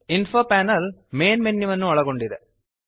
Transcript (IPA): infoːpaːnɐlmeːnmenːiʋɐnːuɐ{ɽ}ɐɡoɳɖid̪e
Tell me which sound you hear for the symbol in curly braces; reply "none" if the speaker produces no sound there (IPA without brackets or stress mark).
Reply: ɭ